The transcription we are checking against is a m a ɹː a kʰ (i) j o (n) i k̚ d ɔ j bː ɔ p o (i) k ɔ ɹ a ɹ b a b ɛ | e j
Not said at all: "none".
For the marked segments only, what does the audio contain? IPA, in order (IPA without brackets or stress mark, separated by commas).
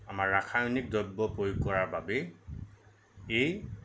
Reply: a, n, j